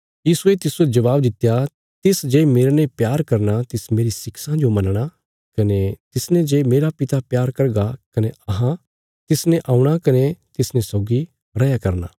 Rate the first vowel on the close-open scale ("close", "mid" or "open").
close